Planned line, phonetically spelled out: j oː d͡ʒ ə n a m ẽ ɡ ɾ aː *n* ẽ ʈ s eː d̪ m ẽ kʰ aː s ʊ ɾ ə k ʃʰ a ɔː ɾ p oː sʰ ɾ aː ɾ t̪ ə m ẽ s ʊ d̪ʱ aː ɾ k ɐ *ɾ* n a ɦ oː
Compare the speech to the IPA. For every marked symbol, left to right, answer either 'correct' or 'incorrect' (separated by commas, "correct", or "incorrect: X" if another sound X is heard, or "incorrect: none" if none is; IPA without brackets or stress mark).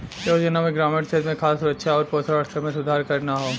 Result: incorrect: m, correct